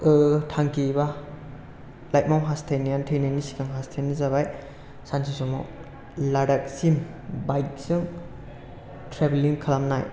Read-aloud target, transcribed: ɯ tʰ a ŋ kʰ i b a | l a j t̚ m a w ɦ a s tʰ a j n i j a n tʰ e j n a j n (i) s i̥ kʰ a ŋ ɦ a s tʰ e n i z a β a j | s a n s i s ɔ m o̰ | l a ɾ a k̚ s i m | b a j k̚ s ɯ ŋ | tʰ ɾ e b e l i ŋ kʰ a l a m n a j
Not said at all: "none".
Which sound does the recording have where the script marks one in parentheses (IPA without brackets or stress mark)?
i